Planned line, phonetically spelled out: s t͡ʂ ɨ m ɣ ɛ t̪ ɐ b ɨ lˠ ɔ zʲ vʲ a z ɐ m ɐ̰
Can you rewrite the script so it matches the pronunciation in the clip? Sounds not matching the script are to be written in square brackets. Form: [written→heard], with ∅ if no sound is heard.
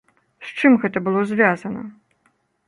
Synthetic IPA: s t͡ʂ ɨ m ɣ ɛ t̪ ɐ b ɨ lˠ ɔ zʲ vʲ a z ɐ [m→n] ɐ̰